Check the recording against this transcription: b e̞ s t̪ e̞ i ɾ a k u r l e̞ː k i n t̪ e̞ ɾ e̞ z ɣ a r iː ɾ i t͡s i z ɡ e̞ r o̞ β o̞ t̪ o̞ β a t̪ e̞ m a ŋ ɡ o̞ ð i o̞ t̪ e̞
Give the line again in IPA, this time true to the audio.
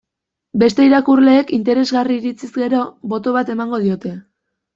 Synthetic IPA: b e̞ s t̪ e̞ i ɾ a k u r l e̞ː k i n t̪ e̞ ɾ e̞ z ɣ a r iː ɾ i t͡s i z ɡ e̞ ɾ o̞ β o̞ t̪ o̞ β a t̪ e̞ m a ŋ ɡ o̞ ð i o̞ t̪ e̞